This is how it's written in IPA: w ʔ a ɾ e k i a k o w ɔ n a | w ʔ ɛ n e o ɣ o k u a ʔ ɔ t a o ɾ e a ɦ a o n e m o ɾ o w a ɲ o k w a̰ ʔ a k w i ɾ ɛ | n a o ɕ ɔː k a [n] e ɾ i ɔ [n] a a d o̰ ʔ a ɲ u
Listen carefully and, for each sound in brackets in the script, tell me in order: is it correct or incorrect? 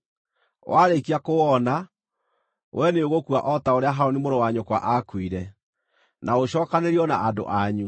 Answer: correct, correct

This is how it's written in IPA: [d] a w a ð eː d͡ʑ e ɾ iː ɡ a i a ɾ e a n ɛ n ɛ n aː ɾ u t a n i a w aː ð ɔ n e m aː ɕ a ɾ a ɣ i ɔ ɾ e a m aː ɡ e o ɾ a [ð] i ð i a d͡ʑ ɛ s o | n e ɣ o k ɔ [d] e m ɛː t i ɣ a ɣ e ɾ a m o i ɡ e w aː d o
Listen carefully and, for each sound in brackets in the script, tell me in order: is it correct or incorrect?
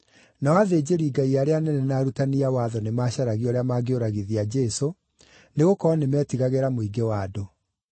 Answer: incorrect, incorrect, incorrect

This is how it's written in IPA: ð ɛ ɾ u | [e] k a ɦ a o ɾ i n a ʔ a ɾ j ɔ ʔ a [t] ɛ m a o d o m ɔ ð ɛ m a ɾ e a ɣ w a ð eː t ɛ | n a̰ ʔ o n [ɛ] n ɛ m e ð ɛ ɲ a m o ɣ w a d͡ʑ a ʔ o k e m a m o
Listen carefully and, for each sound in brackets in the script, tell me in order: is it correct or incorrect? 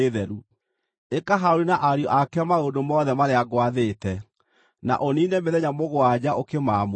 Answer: correct, incorrect, incorrect

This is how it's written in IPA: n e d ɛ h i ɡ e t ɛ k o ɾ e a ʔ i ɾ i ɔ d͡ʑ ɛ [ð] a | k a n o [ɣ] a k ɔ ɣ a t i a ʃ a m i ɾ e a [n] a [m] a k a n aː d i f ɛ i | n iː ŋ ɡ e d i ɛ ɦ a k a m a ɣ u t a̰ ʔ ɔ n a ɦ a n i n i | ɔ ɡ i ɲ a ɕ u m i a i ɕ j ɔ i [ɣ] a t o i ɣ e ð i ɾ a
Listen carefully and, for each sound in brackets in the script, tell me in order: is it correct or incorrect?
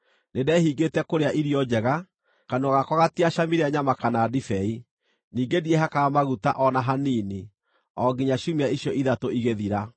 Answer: incorrect, correct, incorrect, correct, incorrect

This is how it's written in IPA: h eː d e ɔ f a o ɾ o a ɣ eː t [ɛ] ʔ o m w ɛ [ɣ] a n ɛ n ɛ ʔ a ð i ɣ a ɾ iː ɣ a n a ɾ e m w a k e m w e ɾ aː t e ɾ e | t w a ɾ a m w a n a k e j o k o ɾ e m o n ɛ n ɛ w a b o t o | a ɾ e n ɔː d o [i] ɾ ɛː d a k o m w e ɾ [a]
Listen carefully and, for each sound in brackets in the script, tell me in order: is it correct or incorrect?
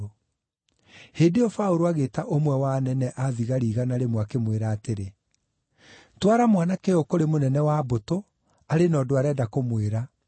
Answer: incorrect, incorrect, incorrect, correct

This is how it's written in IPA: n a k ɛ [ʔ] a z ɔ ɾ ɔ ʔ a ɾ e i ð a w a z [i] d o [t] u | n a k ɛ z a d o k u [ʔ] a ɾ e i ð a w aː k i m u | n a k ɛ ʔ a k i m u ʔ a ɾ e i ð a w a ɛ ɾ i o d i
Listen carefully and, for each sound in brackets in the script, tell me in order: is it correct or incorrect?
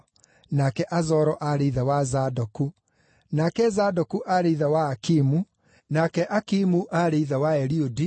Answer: correct, incorrect, incorrect, correct

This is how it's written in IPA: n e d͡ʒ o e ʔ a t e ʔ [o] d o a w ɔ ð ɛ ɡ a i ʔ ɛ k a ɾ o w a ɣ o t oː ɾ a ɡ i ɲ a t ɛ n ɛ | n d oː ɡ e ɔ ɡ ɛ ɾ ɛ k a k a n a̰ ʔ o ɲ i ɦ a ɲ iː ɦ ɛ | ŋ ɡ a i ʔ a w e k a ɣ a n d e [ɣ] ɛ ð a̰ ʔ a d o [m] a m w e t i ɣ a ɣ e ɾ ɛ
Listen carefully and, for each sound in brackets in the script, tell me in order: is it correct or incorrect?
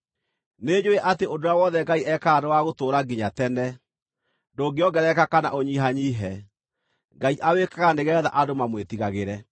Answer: correct, correct, correct

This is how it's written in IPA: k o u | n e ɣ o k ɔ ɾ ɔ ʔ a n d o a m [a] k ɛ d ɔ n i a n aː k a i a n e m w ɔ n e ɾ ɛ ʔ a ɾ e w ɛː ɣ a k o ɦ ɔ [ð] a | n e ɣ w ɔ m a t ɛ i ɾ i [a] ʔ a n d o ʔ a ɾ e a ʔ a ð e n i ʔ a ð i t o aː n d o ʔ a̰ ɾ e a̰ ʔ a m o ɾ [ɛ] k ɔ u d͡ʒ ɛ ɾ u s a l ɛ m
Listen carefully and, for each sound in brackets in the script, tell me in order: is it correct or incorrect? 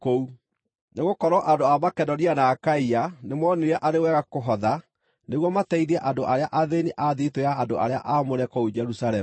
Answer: correct, correct, incorrect, correct

